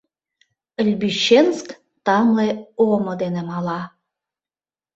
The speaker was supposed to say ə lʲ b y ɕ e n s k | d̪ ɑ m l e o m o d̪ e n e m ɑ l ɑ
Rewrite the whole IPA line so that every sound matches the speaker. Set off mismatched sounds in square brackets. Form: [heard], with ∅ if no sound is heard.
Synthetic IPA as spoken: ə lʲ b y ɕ e n s k | [t̪] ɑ m l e o m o d̪ e n e m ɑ l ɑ